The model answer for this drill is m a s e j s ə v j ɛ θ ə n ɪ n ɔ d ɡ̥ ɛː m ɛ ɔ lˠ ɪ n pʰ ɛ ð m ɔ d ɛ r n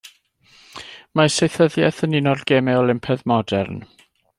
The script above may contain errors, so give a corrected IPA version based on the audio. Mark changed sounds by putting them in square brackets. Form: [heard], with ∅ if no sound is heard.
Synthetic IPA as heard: m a s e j [θ] ə [ð] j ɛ θ ə n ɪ n ɔ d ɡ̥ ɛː m ɛ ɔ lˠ ɪ [m] pʰ ɛ ð m ɔ d ɛ r n